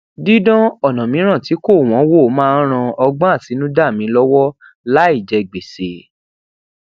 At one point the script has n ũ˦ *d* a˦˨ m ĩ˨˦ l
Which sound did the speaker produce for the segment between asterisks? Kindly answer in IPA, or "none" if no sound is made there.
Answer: d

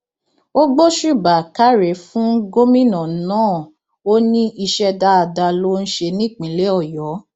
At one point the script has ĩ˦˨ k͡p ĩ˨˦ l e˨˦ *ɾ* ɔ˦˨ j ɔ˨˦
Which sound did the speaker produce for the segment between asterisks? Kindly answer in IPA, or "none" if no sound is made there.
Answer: none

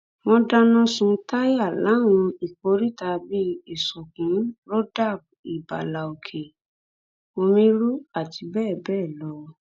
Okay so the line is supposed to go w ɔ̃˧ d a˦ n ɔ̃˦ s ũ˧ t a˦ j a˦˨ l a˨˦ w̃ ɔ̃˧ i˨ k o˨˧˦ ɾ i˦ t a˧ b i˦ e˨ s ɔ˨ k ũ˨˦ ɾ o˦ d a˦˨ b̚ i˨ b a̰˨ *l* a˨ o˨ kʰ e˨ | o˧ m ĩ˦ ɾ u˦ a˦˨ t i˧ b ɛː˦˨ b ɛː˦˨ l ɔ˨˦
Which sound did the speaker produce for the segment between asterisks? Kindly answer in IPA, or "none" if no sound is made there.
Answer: l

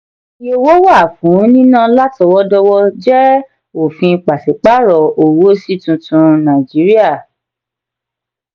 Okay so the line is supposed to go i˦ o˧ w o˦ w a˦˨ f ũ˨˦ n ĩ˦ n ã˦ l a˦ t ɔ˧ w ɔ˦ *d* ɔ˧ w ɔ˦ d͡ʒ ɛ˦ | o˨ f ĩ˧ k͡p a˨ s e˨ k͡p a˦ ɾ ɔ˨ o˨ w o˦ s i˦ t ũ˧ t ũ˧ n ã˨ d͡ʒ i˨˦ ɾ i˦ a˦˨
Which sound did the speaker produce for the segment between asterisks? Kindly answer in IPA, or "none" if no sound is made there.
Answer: d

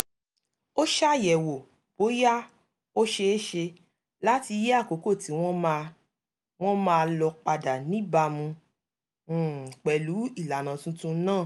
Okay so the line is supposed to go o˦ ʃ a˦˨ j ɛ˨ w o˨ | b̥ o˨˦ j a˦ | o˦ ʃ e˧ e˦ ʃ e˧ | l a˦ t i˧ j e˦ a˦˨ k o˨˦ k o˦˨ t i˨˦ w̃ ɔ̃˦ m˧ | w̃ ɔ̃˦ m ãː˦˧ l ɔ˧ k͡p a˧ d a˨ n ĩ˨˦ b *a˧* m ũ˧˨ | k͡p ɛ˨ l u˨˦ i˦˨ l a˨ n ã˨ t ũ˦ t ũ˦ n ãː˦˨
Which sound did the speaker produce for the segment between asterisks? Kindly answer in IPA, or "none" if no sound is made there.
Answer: a˧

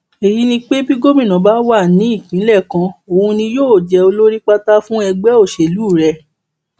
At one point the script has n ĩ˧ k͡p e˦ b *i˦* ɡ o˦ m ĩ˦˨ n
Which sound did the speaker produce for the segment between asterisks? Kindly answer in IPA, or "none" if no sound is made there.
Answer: i˦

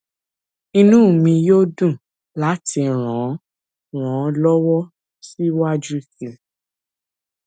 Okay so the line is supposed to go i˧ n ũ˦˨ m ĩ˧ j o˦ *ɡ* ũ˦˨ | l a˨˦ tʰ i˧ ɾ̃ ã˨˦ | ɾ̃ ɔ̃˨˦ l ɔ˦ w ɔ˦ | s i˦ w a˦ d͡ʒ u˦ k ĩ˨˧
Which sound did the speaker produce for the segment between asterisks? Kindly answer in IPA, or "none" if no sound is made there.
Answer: d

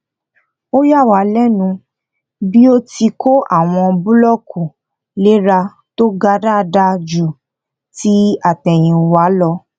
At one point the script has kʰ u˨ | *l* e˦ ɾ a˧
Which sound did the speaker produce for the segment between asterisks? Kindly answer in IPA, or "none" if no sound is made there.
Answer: l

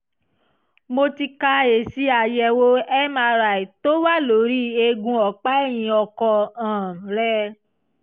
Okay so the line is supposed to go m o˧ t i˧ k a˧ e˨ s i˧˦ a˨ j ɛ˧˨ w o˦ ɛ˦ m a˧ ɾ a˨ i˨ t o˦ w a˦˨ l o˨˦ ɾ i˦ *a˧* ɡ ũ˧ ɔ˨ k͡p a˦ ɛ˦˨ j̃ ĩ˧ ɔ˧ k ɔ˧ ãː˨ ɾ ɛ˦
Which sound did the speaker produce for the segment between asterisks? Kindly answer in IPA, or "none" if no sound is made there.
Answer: e˧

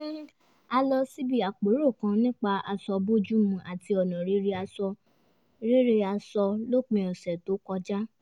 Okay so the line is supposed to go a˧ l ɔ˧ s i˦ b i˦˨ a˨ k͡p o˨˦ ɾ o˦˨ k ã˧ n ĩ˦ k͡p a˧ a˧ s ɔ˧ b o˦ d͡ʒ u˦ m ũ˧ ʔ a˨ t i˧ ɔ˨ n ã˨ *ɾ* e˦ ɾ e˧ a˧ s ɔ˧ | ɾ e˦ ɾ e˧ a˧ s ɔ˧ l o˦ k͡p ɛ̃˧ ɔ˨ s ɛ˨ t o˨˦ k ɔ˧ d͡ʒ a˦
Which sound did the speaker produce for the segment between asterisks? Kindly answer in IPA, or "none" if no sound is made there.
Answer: ɾ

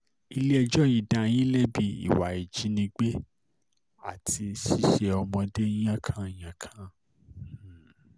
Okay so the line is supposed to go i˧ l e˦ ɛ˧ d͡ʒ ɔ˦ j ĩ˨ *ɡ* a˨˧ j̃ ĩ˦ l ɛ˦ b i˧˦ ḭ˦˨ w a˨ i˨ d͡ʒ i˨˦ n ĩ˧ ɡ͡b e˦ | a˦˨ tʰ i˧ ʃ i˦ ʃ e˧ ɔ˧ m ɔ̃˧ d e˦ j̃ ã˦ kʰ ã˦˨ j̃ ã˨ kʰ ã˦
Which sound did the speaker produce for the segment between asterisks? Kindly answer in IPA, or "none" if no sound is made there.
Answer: d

